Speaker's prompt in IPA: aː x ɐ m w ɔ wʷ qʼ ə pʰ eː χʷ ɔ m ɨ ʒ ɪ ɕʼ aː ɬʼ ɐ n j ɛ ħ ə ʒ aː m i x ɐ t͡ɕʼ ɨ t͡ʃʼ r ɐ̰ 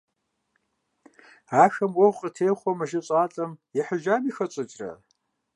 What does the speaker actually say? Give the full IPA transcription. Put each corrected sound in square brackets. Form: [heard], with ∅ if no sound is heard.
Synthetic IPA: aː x ɐ m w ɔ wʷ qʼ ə [tʰ] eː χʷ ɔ m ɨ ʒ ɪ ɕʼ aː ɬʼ ɐ [m] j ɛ ħ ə ʒ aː m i x ɐ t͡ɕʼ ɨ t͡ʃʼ r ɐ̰